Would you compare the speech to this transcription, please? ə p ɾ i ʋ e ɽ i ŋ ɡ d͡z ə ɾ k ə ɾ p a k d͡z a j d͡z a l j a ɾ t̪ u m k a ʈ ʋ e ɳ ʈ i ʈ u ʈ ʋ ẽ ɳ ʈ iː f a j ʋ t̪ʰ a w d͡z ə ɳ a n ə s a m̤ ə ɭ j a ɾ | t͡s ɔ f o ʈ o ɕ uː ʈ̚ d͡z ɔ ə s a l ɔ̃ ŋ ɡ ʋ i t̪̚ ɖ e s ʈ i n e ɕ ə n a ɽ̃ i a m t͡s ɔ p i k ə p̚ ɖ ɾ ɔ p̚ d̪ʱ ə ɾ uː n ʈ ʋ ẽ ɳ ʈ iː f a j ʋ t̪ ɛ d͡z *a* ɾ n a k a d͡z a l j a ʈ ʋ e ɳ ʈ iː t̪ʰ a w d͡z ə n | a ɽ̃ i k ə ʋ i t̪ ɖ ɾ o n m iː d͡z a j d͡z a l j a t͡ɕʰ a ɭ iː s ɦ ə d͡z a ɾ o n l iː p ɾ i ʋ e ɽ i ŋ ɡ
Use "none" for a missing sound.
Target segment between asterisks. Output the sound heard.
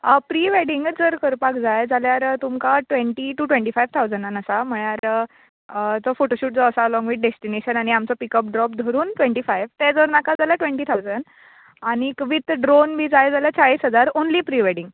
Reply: ə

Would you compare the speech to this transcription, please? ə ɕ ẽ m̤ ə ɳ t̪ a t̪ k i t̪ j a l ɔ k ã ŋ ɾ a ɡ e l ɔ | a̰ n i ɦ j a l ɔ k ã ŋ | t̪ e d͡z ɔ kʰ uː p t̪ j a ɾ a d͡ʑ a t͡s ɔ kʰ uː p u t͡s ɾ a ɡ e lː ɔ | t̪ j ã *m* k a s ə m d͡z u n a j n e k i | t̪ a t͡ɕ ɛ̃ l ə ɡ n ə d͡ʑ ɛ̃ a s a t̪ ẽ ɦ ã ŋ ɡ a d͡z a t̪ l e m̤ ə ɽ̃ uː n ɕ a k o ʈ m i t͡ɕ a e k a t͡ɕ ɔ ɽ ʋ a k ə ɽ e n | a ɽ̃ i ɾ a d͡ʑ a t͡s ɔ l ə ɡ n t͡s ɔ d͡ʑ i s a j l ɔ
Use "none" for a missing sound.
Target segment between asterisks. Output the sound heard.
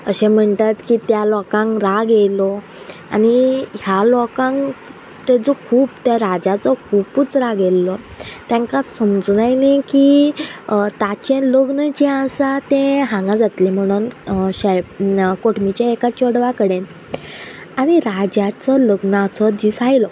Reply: ŋ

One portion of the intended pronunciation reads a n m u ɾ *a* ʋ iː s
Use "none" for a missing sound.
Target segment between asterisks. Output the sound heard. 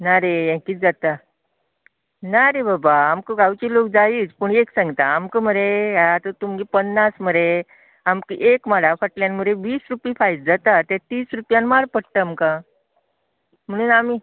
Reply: e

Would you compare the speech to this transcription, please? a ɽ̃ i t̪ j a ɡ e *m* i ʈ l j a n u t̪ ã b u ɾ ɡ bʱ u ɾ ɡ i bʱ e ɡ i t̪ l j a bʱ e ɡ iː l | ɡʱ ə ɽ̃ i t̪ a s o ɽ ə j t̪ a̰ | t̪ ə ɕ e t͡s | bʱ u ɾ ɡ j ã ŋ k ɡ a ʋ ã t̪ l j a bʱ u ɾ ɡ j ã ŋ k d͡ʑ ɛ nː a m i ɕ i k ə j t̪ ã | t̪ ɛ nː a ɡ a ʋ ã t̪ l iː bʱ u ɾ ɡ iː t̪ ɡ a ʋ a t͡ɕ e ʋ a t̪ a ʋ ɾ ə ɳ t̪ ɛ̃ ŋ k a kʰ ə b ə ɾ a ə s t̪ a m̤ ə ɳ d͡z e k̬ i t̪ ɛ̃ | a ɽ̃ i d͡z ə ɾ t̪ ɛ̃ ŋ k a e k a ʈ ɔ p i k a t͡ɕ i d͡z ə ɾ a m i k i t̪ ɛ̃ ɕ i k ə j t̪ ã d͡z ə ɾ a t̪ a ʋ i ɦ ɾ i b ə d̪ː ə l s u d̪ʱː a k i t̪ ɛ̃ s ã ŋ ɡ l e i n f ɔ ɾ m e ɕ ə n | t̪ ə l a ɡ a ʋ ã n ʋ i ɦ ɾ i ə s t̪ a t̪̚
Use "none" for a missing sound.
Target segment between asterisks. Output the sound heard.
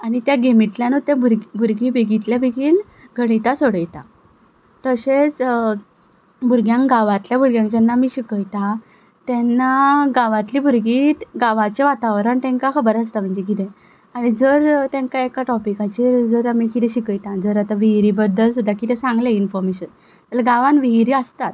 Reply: m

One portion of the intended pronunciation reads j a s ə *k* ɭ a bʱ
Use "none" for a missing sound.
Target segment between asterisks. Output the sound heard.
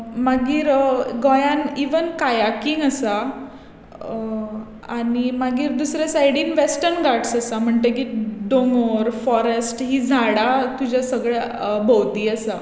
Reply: ɡ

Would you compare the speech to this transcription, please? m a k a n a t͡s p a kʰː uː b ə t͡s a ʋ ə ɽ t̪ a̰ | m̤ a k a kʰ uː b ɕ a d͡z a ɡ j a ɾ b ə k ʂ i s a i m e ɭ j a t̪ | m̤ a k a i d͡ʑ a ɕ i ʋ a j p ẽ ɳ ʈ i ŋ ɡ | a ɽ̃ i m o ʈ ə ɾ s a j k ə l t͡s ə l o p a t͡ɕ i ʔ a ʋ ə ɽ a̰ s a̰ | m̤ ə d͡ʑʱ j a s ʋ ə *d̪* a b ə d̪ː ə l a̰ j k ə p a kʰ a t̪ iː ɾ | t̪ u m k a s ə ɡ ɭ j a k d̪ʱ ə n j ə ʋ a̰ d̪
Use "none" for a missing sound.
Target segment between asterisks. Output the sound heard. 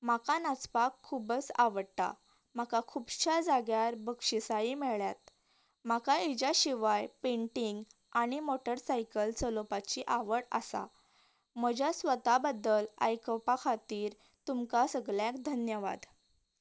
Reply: t̪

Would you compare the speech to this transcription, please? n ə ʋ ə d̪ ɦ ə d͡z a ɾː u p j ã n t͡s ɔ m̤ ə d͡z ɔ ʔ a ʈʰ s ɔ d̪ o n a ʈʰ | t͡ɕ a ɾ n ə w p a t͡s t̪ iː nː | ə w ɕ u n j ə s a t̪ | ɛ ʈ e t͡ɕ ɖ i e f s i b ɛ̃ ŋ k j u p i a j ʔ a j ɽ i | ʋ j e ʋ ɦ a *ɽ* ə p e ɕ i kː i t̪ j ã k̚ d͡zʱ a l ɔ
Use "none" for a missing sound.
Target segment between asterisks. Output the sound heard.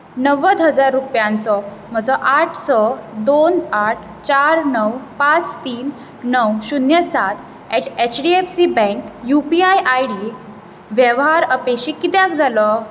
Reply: ɾ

